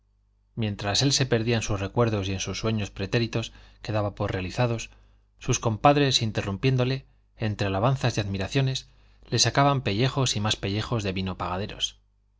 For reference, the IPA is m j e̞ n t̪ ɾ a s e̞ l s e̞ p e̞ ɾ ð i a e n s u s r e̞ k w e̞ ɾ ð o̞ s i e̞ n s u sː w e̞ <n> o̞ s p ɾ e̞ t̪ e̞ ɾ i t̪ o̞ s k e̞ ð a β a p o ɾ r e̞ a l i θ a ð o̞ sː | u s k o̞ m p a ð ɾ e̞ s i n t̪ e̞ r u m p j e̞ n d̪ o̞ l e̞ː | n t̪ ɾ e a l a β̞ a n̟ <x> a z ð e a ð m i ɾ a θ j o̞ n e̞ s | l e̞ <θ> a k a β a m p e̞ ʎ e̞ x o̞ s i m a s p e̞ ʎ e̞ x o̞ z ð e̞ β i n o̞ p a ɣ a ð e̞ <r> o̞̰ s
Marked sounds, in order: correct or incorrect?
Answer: incorrect: ɲ, incorrect: θ, incorrect: s, incorrect: ɾ

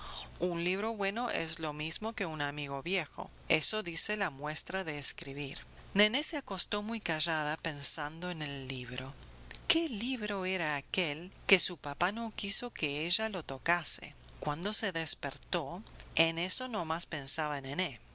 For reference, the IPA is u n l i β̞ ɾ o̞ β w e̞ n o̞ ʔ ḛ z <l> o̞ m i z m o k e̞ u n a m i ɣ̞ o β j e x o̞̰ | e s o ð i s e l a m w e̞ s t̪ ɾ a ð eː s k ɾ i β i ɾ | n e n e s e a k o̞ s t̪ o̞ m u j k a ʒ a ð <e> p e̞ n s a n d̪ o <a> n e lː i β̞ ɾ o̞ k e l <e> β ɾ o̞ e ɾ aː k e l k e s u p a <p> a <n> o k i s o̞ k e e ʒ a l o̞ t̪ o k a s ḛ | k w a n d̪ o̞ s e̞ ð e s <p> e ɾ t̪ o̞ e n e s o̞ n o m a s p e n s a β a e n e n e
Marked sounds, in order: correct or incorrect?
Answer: correct, incorrect: a, incorrect: e, incorrect: i, correct, correct, correct

